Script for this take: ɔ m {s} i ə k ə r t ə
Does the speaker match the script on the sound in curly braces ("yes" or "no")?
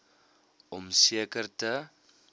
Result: yes